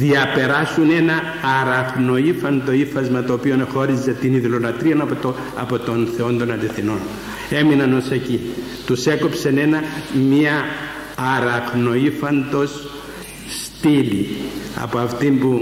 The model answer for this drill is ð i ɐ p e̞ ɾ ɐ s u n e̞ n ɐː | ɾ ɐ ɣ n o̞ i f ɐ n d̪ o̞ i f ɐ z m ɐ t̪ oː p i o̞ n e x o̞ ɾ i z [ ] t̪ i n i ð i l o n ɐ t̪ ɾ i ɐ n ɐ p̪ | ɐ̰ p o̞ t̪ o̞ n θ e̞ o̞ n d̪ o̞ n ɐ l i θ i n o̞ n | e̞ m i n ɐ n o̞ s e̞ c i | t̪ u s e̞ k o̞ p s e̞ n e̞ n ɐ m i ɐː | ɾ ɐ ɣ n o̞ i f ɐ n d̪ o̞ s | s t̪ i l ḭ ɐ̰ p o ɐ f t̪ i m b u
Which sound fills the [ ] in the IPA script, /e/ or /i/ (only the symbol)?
e